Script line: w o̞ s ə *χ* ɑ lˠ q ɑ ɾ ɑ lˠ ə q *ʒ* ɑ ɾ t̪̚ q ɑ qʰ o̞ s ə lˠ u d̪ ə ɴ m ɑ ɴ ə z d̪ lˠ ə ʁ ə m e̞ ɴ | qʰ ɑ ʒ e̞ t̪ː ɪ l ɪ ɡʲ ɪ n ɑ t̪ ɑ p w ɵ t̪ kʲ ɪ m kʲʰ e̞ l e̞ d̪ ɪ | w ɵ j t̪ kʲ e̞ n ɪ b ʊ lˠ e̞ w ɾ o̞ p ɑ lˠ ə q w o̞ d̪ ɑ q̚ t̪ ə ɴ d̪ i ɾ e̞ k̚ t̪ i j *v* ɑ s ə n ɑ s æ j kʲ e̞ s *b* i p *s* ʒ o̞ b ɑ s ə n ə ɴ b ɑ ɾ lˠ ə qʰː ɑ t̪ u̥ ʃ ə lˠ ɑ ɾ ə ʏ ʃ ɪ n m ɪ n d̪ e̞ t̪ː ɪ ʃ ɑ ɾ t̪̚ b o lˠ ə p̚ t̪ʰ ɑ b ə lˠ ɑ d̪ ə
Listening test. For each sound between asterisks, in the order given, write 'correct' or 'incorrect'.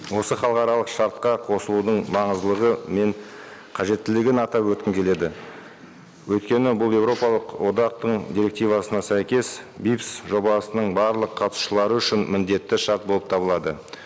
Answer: correct, incorrect, correct, correct, correct

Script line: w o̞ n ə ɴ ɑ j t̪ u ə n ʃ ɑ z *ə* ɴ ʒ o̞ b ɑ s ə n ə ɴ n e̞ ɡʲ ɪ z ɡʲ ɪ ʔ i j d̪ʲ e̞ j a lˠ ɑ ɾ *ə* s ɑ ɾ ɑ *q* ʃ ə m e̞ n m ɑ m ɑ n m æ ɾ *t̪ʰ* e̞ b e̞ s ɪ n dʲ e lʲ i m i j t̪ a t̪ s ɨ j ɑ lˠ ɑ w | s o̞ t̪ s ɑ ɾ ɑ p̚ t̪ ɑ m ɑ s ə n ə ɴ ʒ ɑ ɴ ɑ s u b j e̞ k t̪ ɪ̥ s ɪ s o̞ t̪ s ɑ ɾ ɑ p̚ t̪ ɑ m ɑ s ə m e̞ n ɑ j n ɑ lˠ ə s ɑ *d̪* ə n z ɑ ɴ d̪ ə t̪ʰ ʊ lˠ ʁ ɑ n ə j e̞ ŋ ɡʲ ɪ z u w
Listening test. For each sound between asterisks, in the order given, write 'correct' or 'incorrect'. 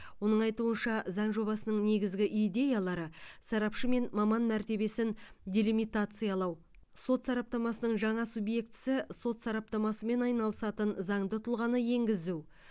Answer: incorrect, correct, incorrect, incorrect, incorrect

